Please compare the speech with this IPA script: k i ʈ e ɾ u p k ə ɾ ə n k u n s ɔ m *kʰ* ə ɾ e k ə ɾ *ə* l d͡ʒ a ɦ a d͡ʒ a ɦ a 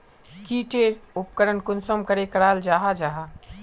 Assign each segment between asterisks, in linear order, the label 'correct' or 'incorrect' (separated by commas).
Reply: incorrect, incorrect